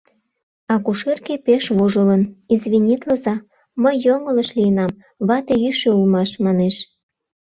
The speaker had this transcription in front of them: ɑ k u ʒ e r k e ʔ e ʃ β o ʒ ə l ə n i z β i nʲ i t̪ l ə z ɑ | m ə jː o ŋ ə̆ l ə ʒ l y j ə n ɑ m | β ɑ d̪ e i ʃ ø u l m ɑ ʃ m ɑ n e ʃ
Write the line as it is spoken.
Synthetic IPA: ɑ k u ʃ e r k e p e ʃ β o ʒ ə l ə n i z β i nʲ i t̪ l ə z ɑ | m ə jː o ŋ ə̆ l ə ʃ l i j ə n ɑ m | β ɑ t̪ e y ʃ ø u l m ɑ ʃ m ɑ n e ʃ